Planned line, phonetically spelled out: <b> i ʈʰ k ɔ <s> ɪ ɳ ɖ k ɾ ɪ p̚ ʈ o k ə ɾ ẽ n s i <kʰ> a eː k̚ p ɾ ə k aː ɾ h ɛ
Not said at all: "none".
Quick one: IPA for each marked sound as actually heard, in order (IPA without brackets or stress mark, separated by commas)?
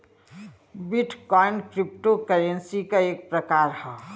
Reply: b, none, k